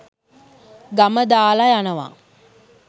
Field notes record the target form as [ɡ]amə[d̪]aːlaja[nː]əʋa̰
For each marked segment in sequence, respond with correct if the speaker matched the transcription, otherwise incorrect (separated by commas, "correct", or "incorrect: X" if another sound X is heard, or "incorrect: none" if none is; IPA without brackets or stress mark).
correct, correct, incorrect: n